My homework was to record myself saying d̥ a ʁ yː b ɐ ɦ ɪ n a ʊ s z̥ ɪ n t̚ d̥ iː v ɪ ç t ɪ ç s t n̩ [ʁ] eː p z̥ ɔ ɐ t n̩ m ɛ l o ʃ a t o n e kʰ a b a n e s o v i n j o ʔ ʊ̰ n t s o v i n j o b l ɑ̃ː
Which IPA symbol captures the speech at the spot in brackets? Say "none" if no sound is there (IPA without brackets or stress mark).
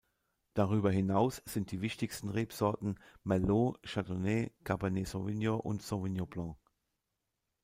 ʁ